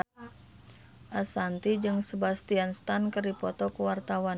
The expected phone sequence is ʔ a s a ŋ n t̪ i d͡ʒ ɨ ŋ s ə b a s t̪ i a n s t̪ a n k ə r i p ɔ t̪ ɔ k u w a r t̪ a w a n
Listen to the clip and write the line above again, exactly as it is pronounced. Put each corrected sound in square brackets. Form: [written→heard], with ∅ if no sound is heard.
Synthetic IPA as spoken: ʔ a s a [ŋ→∅] n t̪ i d͡ʒ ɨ ŋ s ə b a s t̪ i a n s t̪ a n k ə r i p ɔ t̪ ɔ k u w a r t̪ a w a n